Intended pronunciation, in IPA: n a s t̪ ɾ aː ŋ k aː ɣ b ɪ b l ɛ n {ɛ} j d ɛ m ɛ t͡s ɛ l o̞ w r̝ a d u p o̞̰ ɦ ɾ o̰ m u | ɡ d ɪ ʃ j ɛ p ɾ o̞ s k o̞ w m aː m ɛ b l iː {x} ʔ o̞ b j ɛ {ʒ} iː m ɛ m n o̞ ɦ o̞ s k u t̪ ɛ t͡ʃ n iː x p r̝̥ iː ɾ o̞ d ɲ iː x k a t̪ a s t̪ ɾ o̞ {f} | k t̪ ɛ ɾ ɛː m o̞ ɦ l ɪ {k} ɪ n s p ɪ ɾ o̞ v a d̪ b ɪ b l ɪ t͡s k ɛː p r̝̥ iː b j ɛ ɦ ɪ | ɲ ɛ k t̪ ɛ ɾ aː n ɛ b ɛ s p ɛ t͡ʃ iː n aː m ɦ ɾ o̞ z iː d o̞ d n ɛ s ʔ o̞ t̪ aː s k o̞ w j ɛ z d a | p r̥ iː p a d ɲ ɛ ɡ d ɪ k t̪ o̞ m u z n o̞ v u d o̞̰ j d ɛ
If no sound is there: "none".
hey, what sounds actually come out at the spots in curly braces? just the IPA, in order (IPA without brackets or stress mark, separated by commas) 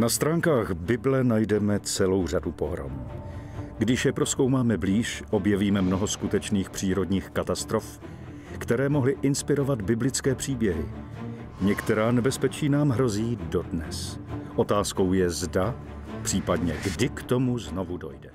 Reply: a, ʃ, v, f, ʔ